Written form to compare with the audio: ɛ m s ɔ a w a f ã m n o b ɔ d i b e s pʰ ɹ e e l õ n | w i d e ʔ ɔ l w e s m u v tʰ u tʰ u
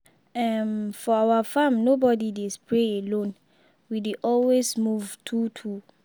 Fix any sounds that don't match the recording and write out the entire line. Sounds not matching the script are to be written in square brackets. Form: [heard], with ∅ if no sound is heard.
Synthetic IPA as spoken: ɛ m [f] ɔ a w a f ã m n o b ɔ d i [d] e s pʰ ɹ e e l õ n | w i d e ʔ ɔ l w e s m u v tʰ u tʰ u